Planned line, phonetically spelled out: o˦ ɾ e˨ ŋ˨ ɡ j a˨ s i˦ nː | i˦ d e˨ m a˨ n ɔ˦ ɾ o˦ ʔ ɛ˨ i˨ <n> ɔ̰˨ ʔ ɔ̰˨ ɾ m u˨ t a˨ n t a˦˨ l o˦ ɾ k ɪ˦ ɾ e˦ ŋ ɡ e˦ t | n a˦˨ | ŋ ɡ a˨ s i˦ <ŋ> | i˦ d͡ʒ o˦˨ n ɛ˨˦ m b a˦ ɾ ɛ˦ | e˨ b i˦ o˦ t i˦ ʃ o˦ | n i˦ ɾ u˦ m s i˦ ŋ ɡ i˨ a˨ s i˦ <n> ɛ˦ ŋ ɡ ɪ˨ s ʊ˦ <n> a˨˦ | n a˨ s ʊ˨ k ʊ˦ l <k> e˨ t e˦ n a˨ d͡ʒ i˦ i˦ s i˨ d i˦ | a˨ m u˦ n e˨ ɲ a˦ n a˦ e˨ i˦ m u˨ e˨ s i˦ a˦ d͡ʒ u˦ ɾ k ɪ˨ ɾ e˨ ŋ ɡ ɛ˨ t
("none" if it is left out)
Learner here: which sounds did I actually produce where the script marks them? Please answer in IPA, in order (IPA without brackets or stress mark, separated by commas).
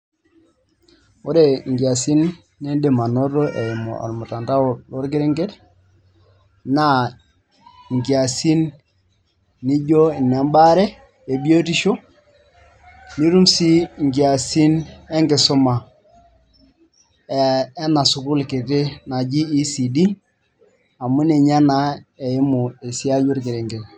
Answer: m, n, n, m, k